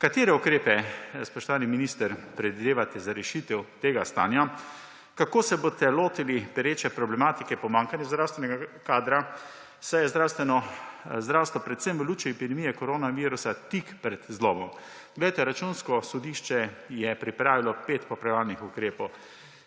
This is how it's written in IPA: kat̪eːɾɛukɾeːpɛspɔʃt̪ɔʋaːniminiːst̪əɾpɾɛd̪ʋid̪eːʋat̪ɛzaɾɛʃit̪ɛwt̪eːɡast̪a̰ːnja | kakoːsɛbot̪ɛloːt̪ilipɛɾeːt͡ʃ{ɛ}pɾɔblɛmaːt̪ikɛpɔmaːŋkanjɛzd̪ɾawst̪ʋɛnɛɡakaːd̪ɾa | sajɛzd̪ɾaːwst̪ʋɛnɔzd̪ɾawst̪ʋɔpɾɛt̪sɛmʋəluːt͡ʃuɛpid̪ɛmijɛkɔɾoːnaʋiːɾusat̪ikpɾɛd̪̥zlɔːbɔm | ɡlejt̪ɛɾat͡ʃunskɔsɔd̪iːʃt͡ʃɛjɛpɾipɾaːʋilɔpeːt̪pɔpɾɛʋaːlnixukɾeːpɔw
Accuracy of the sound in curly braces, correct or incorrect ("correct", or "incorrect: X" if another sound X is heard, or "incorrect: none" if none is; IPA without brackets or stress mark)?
correct